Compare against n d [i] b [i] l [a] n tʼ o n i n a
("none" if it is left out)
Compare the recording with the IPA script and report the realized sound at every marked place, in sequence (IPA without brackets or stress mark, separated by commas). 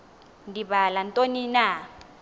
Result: i, a, a